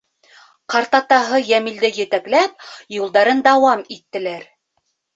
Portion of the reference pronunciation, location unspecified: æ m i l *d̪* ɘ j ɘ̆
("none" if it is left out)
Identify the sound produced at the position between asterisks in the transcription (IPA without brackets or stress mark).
d̪